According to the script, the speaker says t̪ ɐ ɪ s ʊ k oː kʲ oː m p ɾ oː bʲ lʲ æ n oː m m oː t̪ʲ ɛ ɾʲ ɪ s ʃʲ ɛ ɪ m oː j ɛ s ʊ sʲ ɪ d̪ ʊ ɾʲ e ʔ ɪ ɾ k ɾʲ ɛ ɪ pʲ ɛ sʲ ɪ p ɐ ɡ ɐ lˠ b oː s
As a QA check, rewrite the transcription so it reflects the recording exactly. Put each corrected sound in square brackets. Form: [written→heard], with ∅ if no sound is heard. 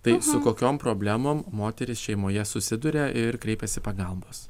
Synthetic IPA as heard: t̪ ɐ ɪ s ʊ k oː kʲ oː m p ɾ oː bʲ lʲ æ [n→m] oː m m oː t̪ʲ ɛ ɾʲ ɪ s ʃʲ ɛ ɪ m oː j ɛ s ʊ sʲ ɪ d̪ ʊ ɾʲ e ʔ ɪ ɾ k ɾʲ ɛ ɪ pʲ ɛ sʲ ɪ p ɐ ɡ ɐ lˠ b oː s